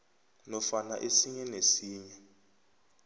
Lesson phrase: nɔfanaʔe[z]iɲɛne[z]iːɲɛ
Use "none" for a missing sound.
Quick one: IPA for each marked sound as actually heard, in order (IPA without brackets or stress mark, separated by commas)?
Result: s, s